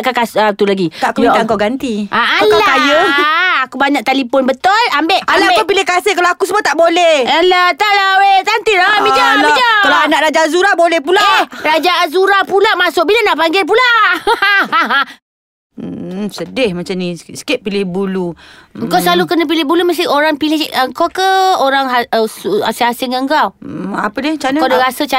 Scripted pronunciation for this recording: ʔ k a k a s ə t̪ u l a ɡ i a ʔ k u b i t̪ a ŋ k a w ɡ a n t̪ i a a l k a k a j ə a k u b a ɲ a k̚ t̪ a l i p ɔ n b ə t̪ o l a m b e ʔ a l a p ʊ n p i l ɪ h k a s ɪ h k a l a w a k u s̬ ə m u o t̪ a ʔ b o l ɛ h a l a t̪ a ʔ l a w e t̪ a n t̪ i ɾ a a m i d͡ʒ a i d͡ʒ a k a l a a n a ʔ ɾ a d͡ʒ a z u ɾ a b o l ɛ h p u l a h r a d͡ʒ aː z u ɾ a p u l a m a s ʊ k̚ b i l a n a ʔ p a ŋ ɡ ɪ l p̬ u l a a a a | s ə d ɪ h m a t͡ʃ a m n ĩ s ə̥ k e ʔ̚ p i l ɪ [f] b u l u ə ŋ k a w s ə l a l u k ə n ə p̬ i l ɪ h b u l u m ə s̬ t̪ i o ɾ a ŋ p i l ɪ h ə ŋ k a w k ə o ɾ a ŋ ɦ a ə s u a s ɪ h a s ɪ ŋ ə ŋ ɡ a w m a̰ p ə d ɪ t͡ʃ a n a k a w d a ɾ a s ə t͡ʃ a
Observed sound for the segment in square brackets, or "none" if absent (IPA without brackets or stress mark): h